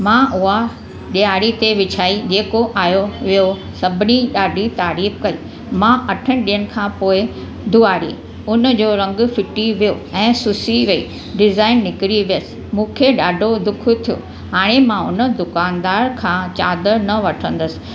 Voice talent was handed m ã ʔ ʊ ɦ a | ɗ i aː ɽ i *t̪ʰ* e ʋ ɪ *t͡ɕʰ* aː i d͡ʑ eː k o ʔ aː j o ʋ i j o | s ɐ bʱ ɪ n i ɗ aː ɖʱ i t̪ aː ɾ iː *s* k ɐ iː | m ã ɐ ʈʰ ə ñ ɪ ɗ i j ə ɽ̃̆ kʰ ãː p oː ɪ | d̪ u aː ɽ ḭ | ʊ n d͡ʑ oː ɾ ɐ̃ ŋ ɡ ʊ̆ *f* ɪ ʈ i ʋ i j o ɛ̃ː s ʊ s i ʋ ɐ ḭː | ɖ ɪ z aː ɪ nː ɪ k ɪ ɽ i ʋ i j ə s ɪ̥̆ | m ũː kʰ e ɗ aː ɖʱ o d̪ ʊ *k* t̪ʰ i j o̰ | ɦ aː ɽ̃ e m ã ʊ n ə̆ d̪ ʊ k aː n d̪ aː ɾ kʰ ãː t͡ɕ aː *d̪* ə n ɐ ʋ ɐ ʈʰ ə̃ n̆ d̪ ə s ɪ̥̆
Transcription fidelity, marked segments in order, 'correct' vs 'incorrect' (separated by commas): incorrect, correct, incorrect, correct, incorrect, correct